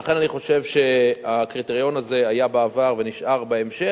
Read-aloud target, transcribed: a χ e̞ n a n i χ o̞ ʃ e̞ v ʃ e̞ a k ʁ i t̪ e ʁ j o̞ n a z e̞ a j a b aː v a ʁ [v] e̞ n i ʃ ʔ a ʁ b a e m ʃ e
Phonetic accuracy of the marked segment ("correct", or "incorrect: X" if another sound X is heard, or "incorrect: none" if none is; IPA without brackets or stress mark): correct